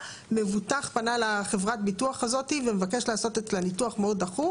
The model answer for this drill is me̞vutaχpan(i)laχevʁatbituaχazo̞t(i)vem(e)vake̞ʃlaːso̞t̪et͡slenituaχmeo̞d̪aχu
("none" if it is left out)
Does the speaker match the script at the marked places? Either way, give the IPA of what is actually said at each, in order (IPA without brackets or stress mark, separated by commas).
a, i, e